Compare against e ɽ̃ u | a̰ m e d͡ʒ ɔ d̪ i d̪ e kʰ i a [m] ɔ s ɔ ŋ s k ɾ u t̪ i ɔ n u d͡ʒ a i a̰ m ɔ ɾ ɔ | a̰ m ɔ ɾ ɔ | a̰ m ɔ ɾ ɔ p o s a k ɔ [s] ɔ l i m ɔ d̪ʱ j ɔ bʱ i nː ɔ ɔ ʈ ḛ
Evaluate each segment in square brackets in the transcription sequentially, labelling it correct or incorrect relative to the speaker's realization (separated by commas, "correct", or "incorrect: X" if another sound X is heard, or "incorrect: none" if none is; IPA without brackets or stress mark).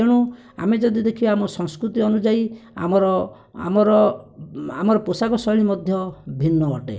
correct, correct